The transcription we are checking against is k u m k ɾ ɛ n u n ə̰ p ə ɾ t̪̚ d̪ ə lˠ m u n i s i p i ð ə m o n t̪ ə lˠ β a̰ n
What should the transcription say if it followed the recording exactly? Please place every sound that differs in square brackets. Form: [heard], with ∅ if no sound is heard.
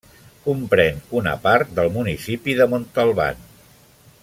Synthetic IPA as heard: k u m [p] ɾ ɛ n u n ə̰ p [a] ɾ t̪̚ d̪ ə lˠ m u n i s i p i ð ə m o n t̪ ə lˠ β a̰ n